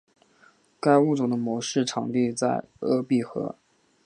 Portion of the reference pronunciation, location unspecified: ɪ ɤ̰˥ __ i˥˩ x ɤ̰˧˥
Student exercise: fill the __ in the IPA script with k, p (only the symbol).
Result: p